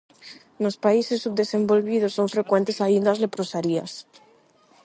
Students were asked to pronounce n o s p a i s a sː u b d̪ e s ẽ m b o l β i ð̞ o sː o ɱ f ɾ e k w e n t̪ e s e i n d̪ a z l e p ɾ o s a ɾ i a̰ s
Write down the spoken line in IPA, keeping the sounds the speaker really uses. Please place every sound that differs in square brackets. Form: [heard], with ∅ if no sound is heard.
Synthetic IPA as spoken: n o s p a i s [e] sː u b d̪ e s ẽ m b o l β i ð̞ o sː o ɱ f ɾ e k w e n t̪ e s [a] i n d̪ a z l e p ɾ o s a ɾ i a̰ s